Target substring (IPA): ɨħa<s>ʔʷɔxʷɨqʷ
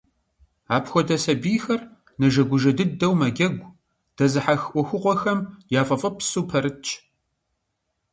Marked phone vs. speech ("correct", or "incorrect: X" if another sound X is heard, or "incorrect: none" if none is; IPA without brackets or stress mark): incorrect: x